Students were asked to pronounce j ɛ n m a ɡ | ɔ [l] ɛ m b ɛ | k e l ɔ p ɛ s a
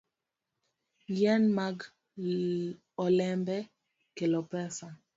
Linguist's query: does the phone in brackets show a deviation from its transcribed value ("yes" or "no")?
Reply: no